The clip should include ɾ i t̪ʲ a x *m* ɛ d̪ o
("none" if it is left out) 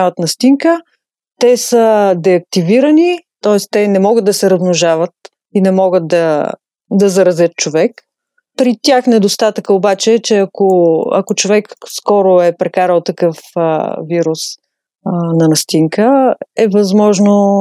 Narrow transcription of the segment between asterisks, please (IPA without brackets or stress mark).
n